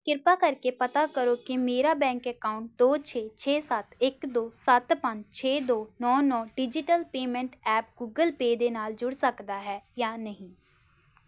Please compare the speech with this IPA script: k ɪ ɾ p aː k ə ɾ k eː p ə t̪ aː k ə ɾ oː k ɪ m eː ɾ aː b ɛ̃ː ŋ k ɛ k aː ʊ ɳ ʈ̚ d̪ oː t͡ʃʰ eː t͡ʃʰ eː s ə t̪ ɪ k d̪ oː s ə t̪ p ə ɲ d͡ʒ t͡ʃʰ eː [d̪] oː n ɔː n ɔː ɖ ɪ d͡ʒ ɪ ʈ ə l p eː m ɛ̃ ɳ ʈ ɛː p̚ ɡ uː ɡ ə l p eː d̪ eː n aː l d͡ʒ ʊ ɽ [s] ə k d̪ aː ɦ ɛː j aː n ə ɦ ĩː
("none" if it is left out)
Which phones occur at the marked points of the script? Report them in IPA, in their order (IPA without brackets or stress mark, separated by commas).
d̪, s